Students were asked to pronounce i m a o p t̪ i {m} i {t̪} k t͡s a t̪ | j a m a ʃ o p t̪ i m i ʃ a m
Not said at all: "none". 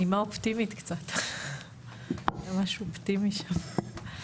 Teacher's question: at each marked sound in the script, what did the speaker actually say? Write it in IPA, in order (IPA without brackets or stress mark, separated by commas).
m, t̪